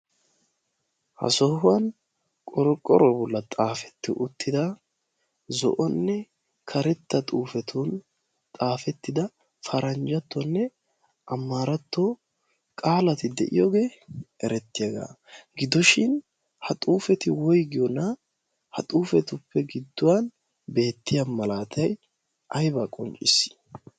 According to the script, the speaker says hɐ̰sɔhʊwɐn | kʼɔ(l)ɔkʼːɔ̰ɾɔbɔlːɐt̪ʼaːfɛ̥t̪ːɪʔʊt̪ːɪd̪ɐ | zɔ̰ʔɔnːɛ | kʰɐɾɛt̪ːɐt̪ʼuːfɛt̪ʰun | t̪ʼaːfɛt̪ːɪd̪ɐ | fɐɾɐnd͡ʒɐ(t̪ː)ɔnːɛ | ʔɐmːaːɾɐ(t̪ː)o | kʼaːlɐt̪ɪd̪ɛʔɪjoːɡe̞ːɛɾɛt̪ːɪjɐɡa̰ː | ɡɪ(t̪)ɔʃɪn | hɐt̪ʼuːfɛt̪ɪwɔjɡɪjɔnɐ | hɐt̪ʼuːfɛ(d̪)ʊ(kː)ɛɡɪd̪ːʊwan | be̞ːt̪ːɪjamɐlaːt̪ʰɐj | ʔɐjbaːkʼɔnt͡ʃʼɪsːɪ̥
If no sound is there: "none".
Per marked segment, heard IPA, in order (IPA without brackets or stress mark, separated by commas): ɾ, t̪ː, t̪ː, d̪, t̪, pː